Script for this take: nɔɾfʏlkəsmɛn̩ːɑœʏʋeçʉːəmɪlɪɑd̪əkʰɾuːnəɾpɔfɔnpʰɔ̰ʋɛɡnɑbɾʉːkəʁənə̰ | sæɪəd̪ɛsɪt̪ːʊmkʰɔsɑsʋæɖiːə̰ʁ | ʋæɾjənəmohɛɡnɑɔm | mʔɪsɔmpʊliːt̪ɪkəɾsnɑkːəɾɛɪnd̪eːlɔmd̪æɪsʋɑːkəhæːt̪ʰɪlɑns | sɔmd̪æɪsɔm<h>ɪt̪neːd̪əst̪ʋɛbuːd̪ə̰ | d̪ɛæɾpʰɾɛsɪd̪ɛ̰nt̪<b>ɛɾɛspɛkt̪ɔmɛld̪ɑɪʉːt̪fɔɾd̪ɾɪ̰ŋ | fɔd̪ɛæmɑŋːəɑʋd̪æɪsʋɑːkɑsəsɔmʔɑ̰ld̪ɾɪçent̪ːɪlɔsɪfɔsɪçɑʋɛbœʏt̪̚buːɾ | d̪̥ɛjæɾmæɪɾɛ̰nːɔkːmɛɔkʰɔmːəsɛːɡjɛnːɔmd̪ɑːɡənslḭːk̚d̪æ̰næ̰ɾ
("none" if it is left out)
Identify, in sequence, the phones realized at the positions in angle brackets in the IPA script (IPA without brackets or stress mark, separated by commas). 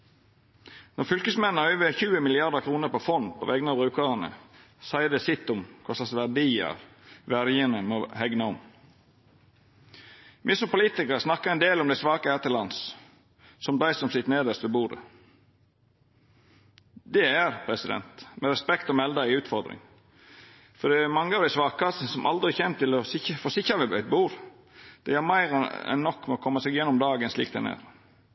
s, m